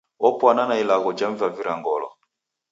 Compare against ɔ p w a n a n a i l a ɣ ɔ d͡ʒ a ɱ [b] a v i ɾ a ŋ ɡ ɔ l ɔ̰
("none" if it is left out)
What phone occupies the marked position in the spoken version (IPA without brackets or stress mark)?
v